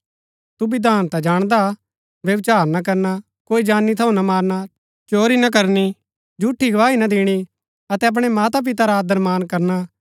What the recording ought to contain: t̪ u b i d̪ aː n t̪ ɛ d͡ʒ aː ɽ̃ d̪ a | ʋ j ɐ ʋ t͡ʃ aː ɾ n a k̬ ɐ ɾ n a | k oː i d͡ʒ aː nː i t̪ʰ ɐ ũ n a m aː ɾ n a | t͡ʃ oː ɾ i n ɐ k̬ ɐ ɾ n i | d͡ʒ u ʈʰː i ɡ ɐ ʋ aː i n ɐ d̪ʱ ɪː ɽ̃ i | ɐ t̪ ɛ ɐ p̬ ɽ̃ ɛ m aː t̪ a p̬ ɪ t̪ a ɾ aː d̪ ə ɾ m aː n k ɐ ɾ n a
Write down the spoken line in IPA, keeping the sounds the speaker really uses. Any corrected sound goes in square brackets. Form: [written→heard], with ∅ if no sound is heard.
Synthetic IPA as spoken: t̪ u b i d̪ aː n t̪ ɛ d͡ʒ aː ɽ̃ d̪ a | ʋ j ɐ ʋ t͡ʃ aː ɾ n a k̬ ɐ ɾ n a | k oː i d͡ʒ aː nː i t̪ʰ ɐ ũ n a m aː ɾ n a | t͡ʃ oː ɾ i n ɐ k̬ ɐ ɾ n i | d͡ʒ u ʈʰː i ɡ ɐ ʋ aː i n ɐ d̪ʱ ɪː ɽ̃ i | ɐ t̪ ɛ ɐ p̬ ɽ̃ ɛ m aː t̪ a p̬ ɪ t̪ a ɾ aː d̪ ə ɾ m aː n k ɐ ɾ n a

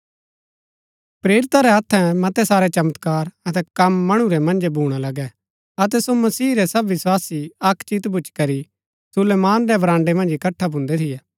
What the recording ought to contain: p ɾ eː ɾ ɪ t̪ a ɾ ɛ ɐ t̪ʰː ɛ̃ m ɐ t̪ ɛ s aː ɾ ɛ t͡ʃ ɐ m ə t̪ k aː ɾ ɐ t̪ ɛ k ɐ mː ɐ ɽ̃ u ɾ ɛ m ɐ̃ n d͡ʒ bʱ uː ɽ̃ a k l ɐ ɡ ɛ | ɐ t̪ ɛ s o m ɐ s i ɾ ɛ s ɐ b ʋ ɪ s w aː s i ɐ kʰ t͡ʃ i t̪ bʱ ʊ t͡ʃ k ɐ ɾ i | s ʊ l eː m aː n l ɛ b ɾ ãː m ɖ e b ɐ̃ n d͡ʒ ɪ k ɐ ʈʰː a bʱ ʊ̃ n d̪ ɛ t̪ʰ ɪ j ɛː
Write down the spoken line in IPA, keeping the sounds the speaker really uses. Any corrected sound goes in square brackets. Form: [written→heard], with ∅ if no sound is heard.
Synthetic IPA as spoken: p ɾ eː ɾ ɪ t̪ a ɾ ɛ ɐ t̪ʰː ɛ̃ m ɐ t̪ ɛ s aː ɾ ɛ t͡ʃ ɐ m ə t̪ k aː ɾ ɐ t̪ ɛ k ɐ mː ɐ ɽ̃ u ɾ ɛ m ɐ̃ n d͡ʒ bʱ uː ɽ̃ a [k→∅] l ɐ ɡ ɛ | ɐ t̪ ɛ s o m ɐ s [i→iː] ɾ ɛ s ɐ b ʋ ɪ s w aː s i ɐ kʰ t͡ʃ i t̪ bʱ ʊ t͡ʃ k ɐ ɾ i | s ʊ l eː m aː n [l→ɾ] ɛ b ɾ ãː [m→ɳ] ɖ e [b→m] ɐ̃ n d͡ʒ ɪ k ɐ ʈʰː a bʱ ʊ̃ n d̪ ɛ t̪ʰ ɪ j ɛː

